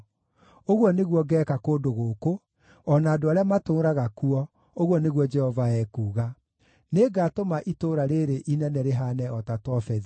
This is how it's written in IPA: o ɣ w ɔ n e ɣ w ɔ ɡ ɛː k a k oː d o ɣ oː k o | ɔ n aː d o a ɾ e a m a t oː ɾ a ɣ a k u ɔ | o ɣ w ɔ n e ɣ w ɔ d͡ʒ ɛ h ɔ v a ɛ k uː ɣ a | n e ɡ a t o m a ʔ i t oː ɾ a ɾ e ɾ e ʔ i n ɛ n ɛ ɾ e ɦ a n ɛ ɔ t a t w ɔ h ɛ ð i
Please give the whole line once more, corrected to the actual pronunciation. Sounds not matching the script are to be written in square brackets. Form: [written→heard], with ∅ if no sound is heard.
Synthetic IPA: o ɣ w ɔ n e ɣ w ɔ ɡ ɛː k a k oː d o ɣ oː k o | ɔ n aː d o a ɾ e a m a t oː ɾ a ɣ a k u ɔ | o ɣ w ɔ n e ɣ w ɔ d͡ʒ ɛ h ɔ v a ɛ k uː ɣ a | n e ɡ a t o m a ʔ i t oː ɾ a ɾ e ɾ e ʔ i n ɛ n ɛ ɾ e ɦ a n ɛ ɔ t a t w ɔ [h→f] ɛ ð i

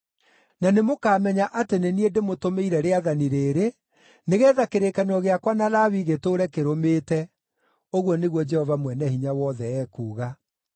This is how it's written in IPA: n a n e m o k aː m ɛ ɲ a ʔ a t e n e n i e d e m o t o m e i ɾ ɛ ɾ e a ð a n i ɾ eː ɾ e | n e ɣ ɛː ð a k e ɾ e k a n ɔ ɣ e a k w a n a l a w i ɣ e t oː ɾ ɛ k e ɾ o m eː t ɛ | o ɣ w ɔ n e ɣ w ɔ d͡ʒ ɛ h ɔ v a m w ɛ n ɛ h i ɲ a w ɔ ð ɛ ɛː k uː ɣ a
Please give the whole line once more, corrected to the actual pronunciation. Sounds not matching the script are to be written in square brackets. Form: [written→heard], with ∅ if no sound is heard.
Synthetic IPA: n a n e m o k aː m ɛ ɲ a ʔ a t e n e n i e d e m o t o m e i ɾ ɛ ɾ e a ð a n i ɾ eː ɾ e | n e ɣ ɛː ð a k e ɾ e k a n ɔ ɣ e a k w a n a l a w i ɣ e t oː ɾ ɛ k e ɾ o m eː t ɛ | o ɣ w ɔ n e ɣ w ɔ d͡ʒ ɛ h ɔ v a m w ɛ n ɛ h i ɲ a w ɔ ð ɛ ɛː k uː ɣ a

